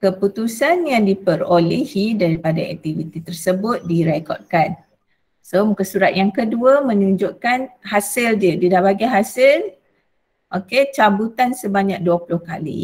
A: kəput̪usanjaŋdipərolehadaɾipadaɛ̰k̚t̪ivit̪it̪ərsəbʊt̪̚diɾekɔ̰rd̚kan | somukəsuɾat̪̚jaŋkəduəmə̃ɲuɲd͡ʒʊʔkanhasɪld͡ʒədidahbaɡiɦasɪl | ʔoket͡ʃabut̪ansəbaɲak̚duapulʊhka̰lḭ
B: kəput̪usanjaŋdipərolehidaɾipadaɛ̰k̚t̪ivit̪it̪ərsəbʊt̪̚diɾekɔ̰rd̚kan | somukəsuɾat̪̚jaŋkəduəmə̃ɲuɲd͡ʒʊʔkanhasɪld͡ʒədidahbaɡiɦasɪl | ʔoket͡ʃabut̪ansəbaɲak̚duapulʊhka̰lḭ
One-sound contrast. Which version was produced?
B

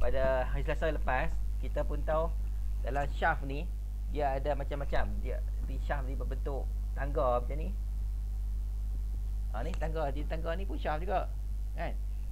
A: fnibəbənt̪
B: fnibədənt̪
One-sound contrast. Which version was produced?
A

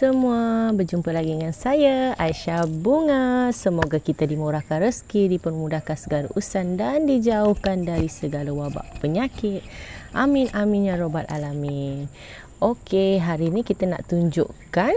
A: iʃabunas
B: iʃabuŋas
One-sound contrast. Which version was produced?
B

